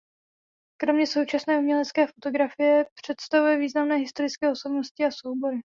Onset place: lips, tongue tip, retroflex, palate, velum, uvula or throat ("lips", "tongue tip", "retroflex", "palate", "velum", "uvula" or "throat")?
velum